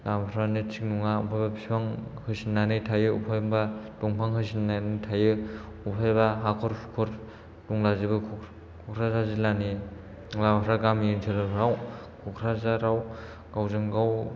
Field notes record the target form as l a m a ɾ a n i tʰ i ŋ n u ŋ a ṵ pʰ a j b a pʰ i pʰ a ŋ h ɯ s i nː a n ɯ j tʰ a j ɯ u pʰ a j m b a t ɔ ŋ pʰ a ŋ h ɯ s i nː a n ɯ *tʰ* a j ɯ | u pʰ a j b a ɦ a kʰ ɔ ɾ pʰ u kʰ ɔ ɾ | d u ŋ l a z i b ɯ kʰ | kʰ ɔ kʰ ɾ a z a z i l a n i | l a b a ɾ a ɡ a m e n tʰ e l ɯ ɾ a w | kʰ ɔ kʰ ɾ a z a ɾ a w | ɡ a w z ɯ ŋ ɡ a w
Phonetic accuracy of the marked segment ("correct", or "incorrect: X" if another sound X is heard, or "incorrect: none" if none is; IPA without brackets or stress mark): correct